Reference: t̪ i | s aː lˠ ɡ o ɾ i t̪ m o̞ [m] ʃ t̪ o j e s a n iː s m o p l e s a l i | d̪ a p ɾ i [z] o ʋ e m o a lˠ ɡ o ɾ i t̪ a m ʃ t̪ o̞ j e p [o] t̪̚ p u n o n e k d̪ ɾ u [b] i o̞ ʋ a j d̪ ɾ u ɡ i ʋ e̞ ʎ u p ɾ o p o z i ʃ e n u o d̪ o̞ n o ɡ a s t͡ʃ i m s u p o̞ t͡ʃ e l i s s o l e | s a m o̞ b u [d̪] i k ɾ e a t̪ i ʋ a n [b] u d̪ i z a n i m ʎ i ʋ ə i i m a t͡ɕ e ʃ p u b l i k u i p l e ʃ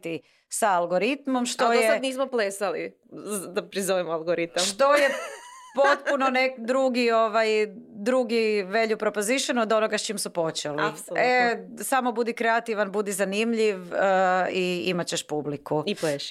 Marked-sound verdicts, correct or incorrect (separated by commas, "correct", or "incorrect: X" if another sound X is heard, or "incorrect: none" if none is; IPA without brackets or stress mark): correct, correct, correct, incorrect: ɡ, correct, correct